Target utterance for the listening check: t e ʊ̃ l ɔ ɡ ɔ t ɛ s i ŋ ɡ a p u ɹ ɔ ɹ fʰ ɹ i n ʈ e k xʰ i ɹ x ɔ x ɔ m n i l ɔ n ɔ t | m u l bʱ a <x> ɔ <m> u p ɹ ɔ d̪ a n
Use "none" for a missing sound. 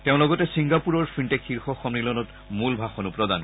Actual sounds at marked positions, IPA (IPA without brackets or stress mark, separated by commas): x, n